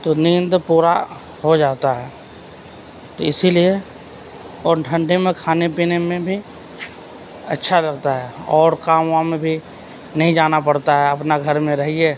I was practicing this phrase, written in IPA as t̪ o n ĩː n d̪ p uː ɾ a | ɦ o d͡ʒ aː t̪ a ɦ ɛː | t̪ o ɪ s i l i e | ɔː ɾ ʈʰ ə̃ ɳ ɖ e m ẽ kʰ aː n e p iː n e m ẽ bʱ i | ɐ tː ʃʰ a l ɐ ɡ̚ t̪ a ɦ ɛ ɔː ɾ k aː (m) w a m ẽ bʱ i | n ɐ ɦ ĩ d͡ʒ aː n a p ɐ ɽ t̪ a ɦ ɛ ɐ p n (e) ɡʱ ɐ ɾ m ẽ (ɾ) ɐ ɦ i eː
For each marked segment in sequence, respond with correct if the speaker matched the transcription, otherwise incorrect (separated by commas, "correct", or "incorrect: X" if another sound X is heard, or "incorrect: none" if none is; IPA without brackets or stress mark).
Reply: correct, incorrect: a, correct